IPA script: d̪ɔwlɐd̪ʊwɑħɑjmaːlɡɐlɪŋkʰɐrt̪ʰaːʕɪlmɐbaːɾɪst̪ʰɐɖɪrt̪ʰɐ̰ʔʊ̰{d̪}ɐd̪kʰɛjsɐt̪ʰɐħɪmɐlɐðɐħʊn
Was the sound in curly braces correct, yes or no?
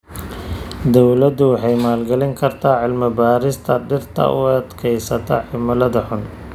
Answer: no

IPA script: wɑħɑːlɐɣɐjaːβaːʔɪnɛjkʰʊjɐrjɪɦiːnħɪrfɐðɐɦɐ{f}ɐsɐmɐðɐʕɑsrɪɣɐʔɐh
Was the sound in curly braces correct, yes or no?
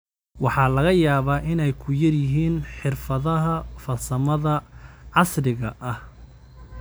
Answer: yes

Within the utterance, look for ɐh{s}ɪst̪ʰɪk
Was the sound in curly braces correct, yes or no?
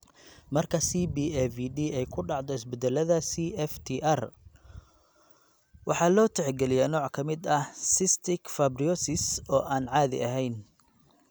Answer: yes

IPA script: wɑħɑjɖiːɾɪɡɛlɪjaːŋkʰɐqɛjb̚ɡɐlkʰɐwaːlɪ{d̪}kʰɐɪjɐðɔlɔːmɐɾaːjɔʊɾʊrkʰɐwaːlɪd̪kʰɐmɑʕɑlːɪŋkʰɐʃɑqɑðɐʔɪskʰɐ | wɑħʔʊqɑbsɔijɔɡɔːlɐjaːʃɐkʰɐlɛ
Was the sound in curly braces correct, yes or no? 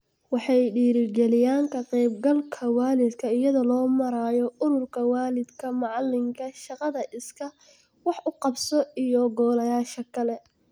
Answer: yes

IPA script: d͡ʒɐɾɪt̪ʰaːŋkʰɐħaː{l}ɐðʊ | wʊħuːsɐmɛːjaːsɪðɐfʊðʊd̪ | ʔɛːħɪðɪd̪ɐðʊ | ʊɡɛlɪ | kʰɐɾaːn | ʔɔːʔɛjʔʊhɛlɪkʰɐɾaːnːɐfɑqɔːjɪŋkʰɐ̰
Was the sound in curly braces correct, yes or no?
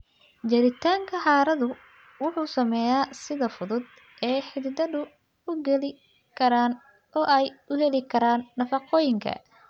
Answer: no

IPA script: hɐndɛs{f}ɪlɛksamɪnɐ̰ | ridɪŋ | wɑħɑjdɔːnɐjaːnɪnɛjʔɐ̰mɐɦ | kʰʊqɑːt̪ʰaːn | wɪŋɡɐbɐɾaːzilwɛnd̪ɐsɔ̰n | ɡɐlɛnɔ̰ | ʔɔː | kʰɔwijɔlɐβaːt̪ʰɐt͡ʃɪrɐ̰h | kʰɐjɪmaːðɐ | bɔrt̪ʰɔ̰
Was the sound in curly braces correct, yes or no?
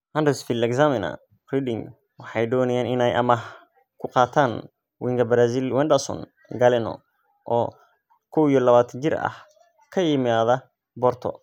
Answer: yes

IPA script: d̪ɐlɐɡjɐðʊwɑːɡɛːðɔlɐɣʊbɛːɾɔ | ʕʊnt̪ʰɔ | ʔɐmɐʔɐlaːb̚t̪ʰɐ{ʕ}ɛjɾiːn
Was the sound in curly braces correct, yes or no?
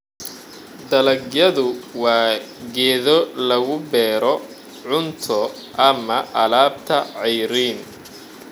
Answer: yes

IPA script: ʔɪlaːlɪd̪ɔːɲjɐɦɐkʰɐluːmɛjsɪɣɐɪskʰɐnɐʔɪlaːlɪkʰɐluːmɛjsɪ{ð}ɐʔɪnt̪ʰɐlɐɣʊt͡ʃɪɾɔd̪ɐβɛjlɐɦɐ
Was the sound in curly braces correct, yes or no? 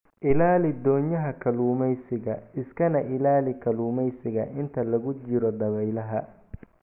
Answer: no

